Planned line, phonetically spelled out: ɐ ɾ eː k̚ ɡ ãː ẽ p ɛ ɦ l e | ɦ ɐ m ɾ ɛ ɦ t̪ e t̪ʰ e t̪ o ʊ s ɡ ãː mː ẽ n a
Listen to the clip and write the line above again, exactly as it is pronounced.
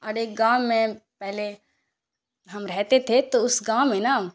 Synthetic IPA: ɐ ɾ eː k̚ ɡ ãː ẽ p ɛ ɦ l e | ɦ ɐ m ɾ ɛ ɦ t̪ e t̪ʰ e t̪ o ʊ s ɡ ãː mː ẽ n a

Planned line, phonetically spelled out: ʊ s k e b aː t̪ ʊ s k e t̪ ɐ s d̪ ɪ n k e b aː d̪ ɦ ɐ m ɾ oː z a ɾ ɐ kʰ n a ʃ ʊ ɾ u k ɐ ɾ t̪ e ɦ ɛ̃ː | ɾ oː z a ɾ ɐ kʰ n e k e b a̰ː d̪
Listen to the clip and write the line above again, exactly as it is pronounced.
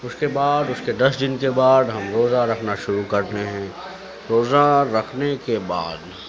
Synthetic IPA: ʊ s k e b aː d̪ ʊ s k e d̪ ɐ s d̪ ɪ n k e b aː d̪ ɦ ɐ m ɾ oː z a ɾ ɐ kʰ n a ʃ ʊ ɾ u k ɐ ɾ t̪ e ɦ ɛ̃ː | ɾ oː z a ɾ ɐ kʰ n e k e b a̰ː d̪

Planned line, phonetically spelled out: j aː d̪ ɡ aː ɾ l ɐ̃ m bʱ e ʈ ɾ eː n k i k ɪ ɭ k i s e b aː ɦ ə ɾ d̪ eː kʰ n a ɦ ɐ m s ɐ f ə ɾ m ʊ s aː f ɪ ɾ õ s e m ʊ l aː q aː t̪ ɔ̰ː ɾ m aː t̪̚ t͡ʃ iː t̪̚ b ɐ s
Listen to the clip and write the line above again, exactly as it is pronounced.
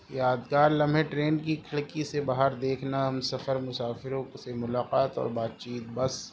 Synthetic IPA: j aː d̪ ɡ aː ɾ l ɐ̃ m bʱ e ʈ ɾ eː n k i kʰ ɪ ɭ k i s e b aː ɦ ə ɾ d̪ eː kʰ n a ɦ ɐ m s ɐ f ə ɾ m ʊ s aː f ɪ ɾ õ s e m ʊ l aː q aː t̪ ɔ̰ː ɾ b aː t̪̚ t͡ʃ iː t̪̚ b ɐ s

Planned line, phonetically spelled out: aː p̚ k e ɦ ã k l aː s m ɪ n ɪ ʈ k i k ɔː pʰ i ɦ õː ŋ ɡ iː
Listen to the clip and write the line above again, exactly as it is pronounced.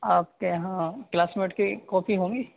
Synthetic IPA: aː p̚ k e ɦ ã k l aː s m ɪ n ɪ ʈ k i k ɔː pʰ i ɦ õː ŋ ɡ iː

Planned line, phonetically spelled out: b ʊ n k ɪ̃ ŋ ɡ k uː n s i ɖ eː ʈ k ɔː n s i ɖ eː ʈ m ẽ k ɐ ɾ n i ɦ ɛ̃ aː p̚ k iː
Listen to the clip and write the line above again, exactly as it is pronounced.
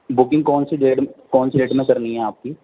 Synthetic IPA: b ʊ k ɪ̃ ŋ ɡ k ɔː n s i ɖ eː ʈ k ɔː n s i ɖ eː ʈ m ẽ k ɐ ɾ n i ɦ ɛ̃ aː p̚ k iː

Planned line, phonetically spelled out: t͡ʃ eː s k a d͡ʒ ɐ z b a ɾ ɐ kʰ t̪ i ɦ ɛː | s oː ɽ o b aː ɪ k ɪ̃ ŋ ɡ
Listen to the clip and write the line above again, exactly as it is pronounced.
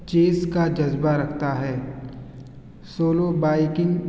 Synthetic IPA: t͡ʃ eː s k a d͡ʒ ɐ z b a ɾ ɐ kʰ t̪ a ɦ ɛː | s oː l o b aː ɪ k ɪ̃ ŋ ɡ

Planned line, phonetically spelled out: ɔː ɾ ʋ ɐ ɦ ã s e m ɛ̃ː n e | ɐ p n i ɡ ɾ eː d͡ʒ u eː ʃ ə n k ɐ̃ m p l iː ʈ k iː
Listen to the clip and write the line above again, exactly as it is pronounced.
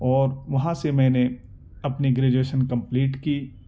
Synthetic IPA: ɔː ɾ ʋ ɐ ɦ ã s e m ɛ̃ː n e | ɐ p n i ɡ ɾ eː d͡ʒ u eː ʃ ə n k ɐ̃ m p l iː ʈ k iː

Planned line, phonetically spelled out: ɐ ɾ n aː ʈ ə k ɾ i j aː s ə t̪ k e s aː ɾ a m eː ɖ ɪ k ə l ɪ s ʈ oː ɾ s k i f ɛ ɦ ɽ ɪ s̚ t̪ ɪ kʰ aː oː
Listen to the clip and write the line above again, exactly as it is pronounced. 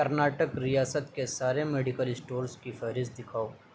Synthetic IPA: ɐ ɾ n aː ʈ ə k ɾ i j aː s ə t̪ k e s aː ɾ e m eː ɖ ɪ k ə l ɪ s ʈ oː ɾ s k i f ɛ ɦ ɾ ɪ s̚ d̪ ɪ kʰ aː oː

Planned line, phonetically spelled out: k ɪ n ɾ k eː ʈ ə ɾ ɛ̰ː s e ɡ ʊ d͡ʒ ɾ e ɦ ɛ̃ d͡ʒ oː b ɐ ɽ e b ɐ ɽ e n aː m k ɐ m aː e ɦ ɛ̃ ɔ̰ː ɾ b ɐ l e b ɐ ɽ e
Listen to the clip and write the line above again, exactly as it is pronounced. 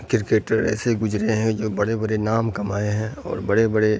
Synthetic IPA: k ɪ ɾ k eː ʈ ə ɾ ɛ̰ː s e ɡ ʊ d͡ʒ ɾ e ɦ ɛ̃ d͡ʒ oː b ɐ ɽ e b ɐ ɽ e n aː m k ɐ m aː e ɦ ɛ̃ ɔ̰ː ɾ b ɐ ɽ e b ɐ ɽ e

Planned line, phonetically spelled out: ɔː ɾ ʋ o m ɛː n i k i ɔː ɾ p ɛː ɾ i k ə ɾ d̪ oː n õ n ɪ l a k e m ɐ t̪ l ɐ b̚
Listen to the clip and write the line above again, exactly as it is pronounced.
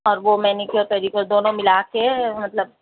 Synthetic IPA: ɔː ɾ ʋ o m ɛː n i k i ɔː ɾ p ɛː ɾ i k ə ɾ d̪ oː n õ m ɪ l a k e m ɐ t̪ l ə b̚

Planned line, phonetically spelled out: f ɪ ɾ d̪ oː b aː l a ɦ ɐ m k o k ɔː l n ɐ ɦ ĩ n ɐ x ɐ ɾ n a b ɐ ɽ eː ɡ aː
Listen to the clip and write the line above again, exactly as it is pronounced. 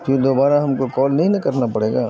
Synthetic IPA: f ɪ ɾ d̪ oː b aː ɾ a ɦ ɐ m k o k ɔː l n ɐ ɦ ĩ n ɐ k ɐ ɾ n a p ɐ ɽ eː ɡ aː

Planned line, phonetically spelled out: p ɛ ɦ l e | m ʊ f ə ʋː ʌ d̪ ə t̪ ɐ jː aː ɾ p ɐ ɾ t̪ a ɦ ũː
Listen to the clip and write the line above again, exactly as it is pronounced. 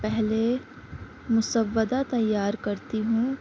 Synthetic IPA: p ɛ ɦ l e | m ʊ s ə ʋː ə d̪ a t̪ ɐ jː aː ɾ k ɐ ɾ t̪ i ɦ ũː

